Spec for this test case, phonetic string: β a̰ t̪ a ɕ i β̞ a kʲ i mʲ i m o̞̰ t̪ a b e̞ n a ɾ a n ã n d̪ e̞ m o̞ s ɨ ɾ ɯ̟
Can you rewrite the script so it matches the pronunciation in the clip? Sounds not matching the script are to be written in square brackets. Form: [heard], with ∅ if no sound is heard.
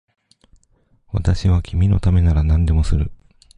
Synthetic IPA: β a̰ t̪ a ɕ i β̞ a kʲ i mʲ i [n] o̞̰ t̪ a [m] e̞ n a ɾ a n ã n d̪ e̞ m o̞ s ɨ ɾ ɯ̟